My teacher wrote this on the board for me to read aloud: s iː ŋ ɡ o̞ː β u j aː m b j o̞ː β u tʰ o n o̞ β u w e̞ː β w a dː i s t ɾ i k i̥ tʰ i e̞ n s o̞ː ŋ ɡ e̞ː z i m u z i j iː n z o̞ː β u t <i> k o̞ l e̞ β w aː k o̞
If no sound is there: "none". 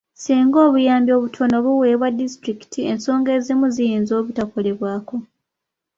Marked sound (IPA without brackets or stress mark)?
a